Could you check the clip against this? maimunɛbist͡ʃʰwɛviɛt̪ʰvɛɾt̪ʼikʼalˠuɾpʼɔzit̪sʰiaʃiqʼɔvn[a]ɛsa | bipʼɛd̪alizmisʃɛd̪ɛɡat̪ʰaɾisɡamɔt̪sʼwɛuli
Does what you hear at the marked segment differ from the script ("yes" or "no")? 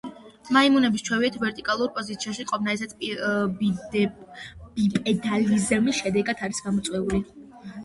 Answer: no